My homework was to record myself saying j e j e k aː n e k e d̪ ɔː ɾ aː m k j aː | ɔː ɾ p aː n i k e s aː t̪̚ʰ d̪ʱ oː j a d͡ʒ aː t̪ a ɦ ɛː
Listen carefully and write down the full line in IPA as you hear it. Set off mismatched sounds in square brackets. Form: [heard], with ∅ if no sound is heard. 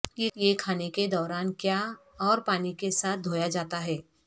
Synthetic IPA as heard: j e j e [kʰ] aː n e k e d̪ ɔː ɾ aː [n] k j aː | ɔː ɾ p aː n i k e s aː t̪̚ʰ d̪ʱ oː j a d͡ʒ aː t̪ a ɦ ɛː